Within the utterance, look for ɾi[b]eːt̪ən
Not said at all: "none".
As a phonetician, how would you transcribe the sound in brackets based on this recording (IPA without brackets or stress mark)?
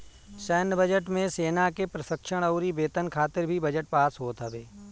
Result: b